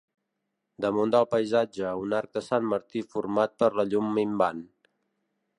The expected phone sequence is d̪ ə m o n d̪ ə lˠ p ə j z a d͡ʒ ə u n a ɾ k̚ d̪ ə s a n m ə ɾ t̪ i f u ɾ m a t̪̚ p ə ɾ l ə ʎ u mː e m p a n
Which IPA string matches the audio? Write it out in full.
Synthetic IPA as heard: d̪ ə m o n d̪ ə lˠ p ə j z a d͡ʒ ə u n a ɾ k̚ d̪ ə s a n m ə ɾ t̪ i f u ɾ m a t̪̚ p ə ɾ l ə ʎ u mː i m b a n

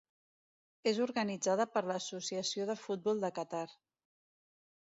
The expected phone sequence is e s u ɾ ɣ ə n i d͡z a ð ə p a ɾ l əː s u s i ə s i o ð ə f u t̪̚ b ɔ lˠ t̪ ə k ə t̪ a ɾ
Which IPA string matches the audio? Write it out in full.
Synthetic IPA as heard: e z u ɾ ɣ ə n i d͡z a ð ə p ə ɾ l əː s u s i ə s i o ð ə f u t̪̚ b ɔ lˠ d̪ ə k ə t̪ a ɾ

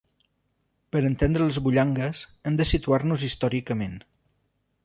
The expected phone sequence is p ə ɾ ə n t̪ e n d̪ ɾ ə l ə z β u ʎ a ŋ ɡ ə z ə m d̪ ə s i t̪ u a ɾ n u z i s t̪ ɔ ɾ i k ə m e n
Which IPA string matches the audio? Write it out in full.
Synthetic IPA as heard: p ə ɾ ə n t̪ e n d̪ ɾ ə l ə z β u ʎ a ŋ ɡ ə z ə m d̪ ə s i t̪ u a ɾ n u z i s t̪ ɔ ɾ i k ə m e n

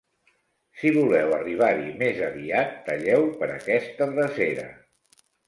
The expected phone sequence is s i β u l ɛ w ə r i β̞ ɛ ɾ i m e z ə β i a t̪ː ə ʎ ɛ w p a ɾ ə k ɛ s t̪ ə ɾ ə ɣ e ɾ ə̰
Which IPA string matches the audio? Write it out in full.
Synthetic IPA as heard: s i β u l ɛ w ə r i β̞ a ɾ i m e z ə β i a t̪ː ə ʎ ɛ w p ə ɾ ə k ɛ s t̪ ə r ə z e ɾ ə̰

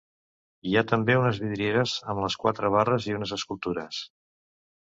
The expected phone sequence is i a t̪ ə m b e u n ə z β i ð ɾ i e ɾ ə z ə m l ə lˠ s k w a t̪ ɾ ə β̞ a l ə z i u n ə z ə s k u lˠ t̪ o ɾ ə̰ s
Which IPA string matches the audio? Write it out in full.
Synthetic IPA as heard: i a t̪ ə m b e u n ə z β i ð ɾ i e ɾ ə z ə m l ə s k w a t̪ ɾ ə β̞ a r ə z i u n ə z ə s k u lˠ t̪ u ɾ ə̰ s

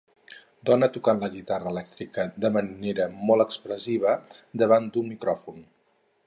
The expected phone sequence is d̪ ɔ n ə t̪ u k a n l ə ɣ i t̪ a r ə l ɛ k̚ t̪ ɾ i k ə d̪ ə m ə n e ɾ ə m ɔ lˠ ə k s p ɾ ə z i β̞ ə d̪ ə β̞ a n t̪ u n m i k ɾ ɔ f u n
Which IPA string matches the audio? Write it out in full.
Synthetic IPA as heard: d̪ ɔ n ə t̪ u k a n l ə ɣ i t̪ a r ə l ɛ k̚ t̪ ɾ i k ə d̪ ə m ə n e ɾ ə m ɔ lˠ ə k s p ɾ ə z i β̞ ə d̪ ə β̞ a n d̪ u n m i k ɾ ɔ f u n

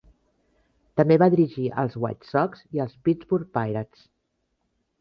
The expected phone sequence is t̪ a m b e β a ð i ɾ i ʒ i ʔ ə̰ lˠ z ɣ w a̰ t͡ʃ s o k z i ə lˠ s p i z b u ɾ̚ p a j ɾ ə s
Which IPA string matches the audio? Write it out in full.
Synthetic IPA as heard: t̪ ə m b e β a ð i ɾ i ʒ i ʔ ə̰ lˠ z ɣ w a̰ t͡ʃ s ɔ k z i ə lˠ s p i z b u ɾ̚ p a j ɾ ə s

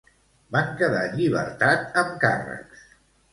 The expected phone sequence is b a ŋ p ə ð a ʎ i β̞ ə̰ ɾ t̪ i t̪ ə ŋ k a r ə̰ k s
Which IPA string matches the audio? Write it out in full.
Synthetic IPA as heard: b a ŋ k ə ð a ʎ i β̞ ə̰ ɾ t̪ a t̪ ə m k a r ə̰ k s

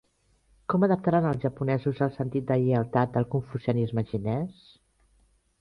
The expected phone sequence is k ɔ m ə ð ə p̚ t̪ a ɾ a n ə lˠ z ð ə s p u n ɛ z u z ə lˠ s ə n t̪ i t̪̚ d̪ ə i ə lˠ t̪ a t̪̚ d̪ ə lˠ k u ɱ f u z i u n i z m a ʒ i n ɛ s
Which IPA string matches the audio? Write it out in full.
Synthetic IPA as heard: k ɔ m ə ð ə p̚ t̪ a ɾ a n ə lˠ z ʒ ə p u n ɛ z u z ə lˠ s ə n t̪ i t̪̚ d̪ ə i ə lˠ t̪ a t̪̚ d̪ ə lˠ k u ɱ f u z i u n i z m ə ʒ i n ɛ s

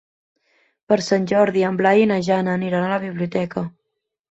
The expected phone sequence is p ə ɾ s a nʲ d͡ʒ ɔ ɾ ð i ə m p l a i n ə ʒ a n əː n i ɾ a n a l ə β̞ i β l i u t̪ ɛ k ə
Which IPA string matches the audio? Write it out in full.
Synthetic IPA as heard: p ə ɾ s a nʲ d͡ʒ ɔ ɾ ð i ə m b l a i n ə ʒ a n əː n i ɾ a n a l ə β̞ i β l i u t̪ ɛ k ə

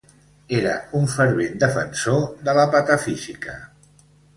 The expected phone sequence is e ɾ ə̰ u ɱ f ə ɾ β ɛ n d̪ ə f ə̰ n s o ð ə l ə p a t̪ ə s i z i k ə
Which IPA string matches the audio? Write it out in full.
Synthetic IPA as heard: e ɾ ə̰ u ɱ f ə ɾ β e n d̪ ə f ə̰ n s o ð ə l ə p a t̪ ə f i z i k ə

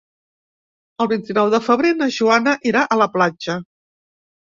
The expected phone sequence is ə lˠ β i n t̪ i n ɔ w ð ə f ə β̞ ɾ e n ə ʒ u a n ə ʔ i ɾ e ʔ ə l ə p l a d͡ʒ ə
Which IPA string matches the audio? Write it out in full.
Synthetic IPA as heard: ə lˠ β i n t̪ i n ɔ w ð ə f ə β̞ ɾ e n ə ʒ u a n ə ʔ i ɾ a ʔ ə l ə p l a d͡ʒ ə

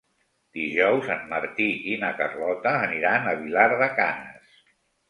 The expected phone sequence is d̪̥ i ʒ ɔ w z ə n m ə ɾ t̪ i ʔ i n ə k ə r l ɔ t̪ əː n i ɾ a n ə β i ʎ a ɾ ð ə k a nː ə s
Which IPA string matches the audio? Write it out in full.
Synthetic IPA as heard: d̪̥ i ʒ ɔ w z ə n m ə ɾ t̪ i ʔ i n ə k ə r l ɔ t̪ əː n i ɾ a n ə β i l a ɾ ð ə k a n ə s

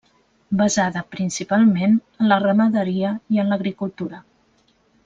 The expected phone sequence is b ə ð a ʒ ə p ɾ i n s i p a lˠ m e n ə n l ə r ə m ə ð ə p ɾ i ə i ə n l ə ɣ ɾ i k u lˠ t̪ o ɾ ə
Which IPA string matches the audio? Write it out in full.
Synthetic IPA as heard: b ə z a ð ə p ɾ i n s i p a lˠ m e n ə n l ə r ə m ə ð ə ɾ i ə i ə n l ə ɣ ɾ i k u lˠ t̪ u ɾ ə

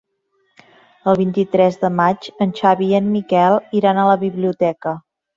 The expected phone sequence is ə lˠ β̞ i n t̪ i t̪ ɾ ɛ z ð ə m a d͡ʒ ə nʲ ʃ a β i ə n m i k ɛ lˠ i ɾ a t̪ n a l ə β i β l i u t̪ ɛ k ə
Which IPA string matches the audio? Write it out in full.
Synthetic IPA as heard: ə lˠ β̞ i n t̪ i t̪ ɾ ɛ z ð ə m a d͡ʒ ə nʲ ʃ a β i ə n m i k ɛ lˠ i ɾ a n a l ə β i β l i u t̪ ɛ k ə

